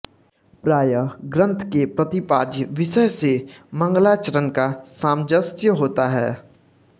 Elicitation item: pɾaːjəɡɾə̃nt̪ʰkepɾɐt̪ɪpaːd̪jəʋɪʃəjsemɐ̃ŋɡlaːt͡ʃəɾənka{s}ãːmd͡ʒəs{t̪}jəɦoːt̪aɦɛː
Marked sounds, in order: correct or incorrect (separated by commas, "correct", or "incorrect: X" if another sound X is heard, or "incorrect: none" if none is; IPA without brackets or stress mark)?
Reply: correct, correct